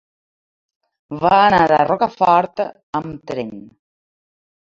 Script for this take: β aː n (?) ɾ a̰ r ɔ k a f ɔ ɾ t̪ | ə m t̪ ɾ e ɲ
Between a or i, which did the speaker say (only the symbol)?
a